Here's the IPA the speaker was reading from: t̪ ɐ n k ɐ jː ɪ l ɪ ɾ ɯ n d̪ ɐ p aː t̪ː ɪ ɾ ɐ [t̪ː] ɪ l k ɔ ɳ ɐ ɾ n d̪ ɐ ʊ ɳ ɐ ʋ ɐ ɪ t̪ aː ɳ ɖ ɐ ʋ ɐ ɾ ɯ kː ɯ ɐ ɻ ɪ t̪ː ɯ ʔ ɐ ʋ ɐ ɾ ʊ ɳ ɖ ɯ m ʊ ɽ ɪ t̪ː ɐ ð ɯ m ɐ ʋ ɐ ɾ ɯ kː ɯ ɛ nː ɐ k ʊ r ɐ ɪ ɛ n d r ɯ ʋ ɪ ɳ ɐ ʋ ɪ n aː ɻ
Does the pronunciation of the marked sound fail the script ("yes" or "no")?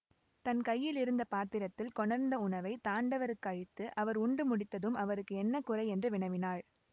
no